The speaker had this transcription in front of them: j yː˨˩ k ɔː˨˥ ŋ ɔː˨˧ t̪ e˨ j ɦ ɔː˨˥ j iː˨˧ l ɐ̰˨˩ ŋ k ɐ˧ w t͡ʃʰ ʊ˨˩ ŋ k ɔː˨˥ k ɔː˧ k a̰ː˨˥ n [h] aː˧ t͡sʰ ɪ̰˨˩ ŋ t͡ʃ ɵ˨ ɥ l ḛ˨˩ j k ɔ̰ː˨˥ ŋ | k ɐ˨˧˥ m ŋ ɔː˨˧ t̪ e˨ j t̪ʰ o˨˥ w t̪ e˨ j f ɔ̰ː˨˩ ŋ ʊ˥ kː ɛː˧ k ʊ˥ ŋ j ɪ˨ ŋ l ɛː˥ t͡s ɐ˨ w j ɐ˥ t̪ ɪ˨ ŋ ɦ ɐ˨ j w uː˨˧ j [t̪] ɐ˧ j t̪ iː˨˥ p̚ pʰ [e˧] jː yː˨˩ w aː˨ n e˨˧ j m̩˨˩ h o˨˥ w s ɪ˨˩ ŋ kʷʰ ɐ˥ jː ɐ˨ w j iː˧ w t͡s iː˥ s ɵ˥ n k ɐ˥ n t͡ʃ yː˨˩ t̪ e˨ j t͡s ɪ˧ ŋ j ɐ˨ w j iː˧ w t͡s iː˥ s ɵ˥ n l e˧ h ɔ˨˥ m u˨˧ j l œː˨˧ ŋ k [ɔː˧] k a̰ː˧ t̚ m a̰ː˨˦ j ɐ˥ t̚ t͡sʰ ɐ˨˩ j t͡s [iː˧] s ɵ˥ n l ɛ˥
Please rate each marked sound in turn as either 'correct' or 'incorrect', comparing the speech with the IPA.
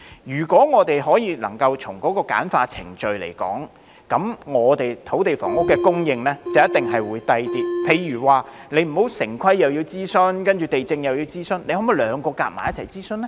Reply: incorrect, correct, correct, correct, incorrect

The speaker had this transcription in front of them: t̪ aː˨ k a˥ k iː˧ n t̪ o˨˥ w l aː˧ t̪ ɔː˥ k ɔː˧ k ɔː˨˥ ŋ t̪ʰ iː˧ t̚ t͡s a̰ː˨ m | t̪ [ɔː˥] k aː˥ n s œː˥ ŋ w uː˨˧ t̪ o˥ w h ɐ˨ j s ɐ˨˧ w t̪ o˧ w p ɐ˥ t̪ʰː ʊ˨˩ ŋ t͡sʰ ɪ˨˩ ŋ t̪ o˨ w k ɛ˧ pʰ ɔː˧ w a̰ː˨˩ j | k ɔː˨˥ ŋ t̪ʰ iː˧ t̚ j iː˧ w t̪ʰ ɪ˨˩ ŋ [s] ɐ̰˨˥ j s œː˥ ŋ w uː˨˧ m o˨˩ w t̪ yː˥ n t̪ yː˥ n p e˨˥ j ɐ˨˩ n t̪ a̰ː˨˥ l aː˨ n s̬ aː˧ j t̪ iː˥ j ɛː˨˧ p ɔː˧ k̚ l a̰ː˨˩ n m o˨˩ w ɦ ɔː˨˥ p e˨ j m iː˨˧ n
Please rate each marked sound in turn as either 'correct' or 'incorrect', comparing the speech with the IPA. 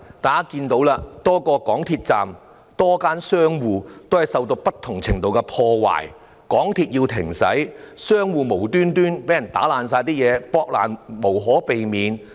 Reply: correct, correct

